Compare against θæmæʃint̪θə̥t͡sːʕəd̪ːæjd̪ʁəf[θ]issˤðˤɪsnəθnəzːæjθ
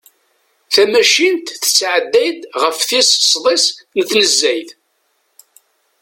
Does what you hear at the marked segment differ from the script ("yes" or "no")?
no